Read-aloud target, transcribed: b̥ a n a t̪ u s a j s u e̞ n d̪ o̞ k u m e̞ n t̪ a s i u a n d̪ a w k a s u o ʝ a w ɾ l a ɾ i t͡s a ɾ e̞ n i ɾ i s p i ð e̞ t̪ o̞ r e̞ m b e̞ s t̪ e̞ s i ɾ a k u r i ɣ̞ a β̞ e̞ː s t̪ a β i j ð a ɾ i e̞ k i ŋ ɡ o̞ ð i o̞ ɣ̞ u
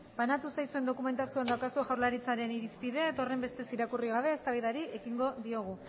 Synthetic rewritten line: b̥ a n a t̪ u s a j s u e̞ n d̪ o̞ k u m e̞ n t̪ a s i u a n d̪ a w k a s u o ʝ a w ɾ l a ɾ i t͡s a ɾ e̞ n i ɾ i s p i ð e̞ t̪ o̞ r e̞ m b e̞ s t̪ e̞ s i ɾ a k u r i ɣ̞ a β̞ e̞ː s t̪ a β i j ð a ɾ i e̞ k i ŋ ɡ o̞ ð i o̞ ɣ̞ u